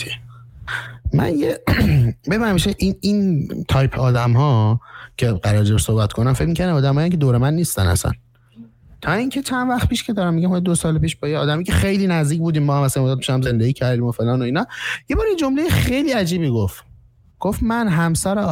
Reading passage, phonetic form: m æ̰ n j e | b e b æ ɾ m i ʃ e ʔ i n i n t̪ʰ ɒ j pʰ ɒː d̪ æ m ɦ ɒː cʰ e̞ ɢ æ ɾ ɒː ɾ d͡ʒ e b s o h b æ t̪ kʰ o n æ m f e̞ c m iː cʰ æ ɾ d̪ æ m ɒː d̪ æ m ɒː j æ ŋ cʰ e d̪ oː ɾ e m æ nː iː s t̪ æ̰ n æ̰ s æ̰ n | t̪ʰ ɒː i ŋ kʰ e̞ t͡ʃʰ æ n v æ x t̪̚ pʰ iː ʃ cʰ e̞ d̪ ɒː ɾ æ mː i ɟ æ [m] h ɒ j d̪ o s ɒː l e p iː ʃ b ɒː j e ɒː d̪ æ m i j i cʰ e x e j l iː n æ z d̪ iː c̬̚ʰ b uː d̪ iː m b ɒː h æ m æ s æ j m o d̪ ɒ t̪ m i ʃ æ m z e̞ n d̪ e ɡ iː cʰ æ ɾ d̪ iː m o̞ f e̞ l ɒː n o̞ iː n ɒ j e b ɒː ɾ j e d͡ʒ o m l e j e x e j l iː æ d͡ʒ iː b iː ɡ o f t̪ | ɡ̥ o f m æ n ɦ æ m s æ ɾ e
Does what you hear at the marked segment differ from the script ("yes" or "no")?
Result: no